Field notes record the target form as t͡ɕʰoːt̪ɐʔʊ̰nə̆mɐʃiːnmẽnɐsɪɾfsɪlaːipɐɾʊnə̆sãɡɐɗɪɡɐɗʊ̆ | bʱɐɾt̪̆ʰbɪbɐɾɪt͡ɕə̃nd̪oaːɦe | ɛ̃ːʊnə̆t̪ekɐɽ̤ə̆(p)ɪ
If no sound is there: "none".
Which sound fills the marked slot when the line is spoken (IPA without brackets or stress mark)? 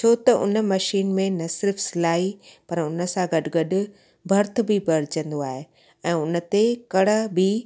b